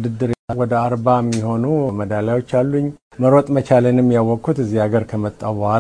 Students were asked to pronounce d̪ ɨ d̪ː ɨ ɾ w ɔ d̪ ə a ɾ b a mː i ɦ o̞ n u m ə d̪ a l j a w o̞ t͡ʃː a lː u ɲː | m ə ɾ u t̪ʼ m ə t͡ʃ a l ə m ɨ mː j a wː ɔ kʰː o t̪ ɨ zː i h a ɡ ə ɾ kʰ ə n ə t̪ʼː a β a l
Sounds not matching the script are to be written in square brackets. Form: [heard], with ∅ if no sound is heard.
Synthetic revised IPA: d̪ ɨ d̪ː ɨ ɾ w ɔ d̪ ə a ɾ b a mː i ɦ o̞ n u m ə d̪ a l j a w o̞ t͡ʃː a lː u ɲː | m ə ɾ [o] t̪ʼ m ə t͡ʃ a l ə [n] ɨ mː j a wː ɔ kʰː [u] t̪ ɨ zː i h a ɡ ə ɾ kʰ ə [m] ə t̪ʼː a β a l